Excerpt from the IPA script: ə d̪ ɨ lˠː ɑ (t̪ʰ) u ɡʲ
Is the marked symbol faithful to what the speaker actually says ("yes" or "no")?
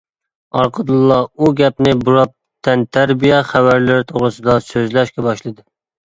no